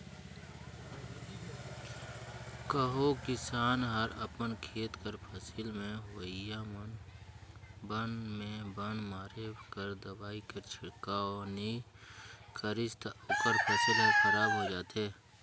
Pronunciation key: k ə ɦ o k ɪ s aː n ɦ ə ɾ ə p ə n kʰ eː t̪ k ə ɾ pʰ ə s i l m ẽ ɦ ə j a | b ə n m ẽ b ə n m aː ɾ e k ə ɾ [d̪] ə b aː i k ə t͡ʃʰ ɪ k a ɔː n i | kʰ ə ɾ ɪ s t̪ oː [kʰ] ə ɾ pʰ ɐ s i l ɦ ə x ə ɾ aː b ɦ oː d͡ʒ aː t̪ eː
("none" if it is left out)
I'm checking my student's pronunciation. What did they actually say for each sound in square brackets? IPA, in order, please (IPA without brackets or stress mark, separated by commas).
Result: d̪, k